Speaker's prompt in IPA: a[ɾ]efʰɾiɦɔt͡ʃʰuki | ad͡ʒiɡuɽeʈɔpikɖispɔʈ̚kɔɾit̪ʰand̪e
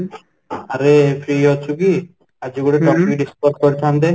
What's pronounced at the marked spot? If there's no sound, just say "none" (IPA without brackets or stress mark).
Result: ɾ